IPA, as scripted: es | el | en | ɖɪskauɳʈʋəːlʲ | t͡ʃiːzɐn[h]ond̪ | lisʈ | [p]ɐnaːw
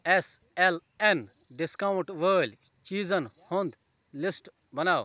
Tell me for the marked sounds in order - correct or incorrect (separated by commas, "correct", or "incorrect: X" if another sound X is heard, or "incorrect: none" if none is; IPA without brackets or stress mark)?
correct, incorrect: b